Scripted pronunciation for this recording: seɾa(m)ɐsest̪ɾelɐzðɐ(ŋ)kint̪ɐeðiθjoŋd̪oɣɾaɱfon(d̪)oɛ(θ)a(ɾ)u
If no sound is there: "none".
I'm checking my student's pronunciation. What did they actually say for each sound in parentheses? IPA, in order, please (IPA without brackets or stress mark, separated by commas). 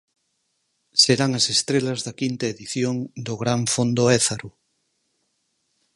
ŋ, none, d̪, θ, ɾ